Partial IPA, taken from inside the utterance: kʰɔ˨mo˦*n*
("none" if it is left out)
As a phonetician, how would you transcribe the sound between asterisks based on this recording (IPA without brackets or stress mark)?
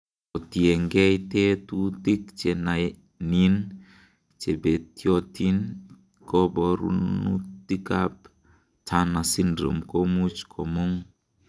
ŋ